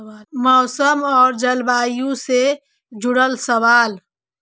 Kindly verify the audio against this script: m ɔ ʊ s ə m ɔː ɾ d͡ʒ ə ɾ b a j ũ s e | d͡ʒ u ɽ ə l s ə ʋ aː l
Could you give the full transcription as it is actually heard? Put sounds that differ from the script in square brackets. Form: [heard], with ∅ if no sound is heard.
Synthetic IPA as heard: m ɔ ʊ s ə m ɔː ɾ d͡ʒ ə [l] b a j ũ s e | d͡ʒ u ɽ ə l s ə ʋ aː l